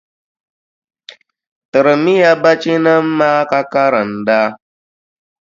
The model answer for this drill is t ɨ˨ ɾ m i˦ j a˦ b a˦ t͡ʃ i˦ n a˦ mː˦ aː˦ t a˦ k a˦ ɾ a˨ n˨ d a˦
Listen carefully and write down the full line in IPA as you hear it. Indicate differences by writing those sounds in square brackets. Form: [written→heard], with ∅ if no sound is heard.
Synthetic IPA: t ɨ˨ ɾ m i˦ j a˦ b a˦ t͡ʃ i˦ n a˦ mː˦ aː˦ [t→k] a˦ k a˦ ɾ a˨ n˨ d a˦

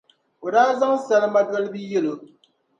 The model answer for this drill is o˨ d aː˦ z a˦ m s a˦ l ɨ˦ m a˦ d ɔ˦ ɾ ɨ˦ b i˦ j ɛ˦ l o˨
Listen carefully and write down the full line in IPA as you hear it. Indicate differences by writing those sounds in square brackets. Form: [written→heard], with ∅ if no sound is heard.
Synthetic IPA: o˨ d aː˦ z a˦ [m→ŋ] s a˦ l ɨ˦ m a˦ d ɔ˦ [ɾ→l] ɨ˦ b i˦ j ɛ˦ l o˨

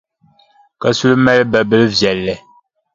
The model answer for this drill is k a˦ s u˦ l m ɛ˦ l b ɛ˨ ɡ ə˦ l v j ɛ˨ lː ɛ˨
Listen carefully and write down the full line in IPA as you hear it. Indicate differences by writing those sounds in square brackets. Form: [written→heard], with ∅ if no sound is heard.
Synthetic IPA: k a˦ s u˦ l m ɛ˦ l b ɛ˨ [ɡ→b] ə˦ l v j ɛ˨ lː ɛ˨

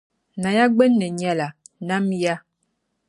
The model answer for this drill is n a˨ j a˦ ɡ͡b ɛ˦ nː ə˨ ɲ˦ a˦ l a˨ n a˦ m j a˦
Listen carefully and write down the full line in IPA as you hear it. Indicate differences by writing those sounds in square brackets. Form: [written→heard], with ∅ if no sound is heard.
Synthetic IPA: n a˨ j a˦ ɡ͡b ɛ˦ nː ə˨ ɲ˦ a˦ l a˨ n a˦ m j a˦

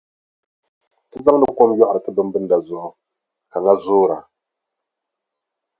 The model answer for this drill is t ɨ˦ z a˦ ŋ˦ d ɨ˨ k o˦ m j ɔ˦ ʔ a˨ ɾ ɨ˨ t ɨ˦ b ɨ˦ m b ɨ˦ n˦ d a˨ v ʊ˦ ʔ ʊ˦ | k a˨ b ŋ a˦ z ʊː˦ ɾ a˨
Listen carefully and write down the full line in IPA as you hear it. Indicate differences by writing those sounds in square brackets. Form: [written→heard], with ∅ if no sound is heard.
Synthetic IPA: t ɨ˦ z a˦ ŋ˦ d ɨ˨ k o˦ m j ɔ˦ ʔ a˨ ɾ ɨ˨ t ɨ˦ b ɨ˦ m b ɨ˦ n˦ d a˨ [v→z] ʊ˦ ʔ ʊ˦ | k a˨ [b→∅] ŋ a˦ z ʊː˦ ɾ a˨

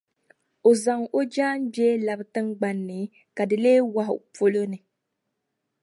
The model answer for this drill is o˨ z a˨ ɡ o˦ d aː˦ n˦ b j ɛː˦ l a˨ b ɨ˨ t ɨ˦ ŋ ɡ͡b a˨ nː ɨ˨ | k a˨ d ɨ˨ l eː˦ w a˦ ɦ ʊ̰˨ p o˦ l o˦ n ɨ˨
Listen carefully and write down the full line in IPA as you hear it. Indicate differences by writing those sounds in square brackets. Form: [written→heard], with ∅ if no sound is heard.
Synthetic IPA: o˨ z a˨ [ɡ→ŋ] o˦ [d→d͡ʒ] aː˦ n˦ b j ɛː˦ l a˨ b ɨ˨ t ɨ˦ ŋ ɡ͡b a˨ nː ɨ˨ | k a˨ d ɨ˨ l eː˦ w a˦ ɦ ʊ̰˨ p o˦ l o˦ n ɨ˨

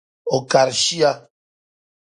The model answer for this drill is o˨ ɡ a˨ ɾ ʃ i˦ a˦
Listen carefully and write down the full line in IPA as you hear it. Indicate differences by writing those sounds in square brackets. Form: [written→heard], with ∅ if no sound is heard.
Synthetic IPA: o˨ [ɡ→k] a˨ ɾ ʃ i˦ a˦

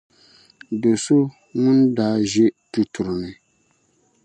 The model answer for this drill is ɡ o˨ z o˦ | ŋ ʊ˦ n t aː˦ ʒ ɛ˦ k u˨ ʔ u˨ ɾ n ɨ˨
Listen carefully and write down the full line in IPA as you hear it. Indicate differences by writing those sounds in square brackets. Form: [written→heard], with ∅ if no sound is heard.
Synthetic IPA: [ɡ→d] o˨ [z→s] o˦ | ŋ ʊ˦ n [t→d] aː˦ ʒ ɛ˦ [k→t] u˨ [ʔ→t] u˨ ɾ n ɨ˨

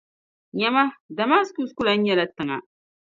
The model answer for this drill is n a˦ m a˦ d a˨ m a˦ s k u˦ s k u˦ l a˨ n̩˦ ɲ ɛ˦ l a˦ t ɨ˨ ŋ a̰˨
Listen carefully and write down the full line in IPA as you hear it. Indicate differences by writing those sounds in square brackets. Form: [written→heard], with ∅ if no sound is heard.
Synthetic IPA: [n→ɲ] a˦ m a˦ d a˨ m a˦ s k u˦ s k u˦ l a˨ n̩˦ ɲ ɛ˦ l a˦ t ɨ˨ ŋ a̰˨

